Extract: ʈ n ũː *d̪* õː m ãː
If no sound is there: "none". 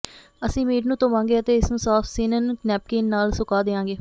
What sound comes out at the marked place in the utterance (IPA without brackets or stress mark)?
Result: t̪